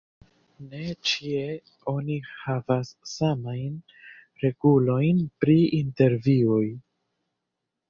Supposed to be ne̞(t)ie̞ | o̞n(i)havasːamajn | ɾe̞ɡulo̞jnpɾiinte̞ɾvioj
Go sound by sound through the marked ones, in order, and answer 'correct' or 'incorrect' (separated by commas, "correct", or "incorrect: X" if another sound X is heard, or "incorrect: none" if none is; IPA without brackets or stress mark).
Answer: incorrect: t͡ʃ, correct